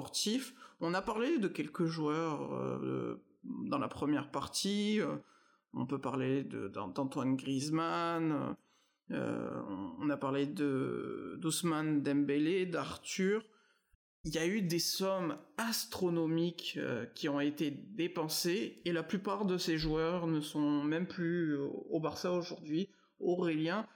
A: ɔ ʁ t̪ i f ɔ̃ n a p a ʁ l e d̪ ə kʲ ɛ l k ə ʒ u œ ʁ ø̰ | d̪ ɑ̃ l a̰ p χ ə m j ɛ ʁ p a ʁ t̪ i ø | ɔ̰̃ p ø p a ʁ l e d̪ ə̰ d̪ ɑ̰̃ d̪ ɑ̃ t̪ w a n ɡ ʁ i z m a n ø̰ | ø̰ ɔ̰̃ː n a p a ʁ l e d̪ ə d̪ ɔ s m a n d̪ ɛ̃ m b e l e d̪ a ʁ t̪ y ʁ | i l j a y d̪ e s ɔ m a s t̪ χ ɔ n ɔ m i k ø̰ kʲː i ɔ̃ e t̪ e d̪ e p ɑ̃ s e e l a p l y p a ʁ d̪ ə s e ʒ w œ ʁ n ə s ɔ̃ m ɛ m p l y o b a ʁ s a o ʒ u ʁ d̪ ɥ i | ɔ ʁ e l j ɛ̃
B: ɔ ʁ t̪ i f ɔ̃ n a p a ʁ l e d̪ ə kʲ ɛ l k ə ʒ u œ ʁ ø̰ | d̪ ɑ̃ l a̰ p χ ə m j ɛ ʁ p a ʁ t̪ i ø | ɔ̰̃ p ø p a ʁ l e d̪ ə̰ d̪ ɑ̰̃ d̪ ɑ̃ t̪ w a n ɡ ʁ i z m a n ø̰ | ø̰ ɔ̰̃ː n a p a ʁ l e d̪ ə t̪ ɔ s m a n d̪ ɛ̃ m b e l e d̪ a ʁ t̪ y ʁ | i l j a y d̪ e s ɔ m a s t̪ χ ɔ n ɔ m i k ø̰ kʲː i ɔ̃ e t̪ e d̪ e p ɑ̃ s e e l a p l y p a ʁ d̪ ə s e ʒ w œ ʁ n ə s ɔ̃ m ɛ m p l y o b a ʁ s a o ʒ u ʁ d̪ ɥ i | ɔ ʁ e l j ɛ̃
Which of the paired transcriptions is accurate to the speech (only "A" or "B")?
A